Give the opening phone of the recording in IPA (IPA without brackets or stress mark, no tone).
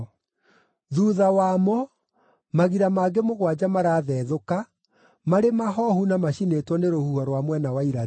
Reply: ð